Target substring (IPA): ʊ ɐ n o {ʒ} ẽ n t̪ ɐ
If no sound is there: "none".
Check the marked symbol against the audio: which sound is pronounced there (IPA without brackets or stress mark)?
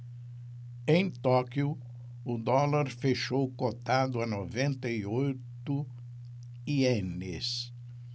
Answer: v